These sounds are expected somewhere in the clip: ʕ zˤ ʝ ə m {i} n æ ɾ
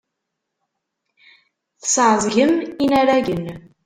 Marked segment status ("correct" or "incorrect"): correct